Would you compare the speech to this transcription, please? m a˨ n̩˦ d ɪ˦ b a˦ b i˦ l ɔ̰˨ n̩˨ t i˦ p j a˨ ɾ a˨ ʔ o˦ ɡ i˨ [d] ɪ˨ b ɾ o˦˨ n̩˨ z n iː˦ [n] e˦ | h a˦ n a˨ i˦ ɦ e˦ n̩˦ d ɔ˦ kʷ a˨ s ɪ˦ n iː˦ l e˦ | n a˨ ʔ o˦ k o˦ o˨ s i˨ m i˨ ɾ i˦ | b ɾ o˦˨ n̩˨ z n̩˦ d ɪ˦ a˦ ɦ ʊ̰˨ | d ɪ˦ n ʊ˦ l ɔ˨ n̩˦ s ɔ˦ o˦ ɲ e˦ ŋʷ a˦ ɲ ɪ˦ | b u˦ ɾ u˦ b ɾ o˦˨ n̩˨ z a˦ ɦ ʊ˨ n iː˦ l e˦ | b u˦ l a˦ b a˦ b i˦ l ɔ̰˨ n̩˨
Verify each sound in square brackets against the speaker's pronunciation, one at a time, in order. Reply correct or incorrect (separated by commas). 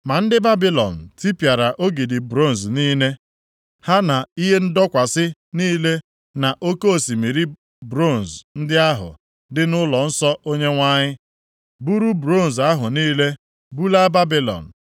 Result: correct, correct